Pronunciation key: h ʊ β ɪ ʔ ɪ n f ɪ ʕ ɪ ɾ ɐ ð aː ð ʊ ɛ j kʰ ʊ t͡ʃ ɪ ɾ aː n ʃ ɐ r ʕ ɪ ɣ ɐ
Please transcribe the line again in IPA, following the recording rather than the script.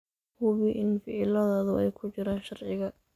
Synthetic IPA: h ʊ β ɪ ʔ ɪ n f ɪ ʕ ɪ l ɐ ð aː ð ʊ ɛ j kʰ ʊ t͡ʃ ɪ ɾ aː n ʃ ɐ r ʕ ɪ ɣ ɐ